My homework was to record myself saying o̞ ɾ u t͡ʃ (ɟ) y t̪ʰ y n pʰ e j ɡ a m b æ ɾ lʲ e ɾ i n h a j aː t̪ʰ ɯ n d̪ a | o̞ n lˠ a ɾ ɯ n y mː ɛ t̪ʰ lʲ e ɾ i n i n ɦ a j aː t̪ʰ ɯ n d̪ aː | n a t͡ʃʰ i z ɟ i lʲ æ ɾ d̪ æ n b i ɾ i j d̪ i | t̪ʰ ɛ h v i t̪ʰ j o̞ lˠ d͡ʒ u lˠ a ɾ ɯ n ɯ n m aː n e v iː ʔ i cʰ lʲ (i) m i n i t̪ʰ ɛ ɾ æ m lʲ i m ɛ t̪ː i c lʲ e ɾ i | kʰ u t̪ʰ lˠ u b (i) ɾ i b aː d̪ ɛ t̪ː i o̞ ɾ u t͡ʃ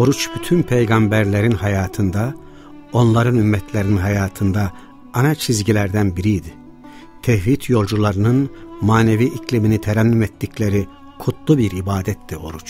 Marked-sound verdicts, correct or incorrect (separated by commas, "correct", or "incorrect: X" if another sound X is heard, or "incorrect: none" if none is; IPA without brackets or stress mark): incorrect: b, correct, correct